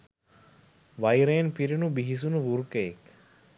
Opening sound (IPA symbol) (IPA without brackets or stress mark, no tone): ʋ